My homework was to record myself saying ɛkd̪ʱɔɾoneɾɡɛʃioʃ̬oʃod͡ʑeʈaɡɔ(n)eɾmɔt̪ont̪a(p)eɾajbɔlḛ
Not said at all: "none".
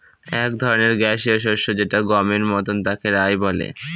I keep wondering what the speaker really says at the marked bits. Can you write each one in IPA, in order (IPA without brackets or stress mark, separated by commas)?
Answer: m, k